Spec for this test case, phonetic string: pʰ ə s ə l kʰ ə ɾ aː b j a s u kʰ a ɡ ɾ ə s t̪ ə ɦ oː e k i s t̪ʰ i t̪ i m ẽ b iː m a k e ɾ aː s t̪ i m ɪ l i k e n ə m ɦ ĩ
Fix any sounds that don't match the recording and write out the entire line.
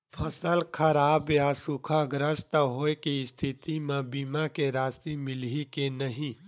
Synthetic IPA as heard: pʰ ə s ə l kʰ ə ɾ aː b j a s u kʰ a ɡ ɾ ə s t̪ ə ɦ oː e k i s t̪ʰ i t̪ i m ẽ b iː m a k e ɾ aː s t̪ i m ɪ l i k e n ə ɦ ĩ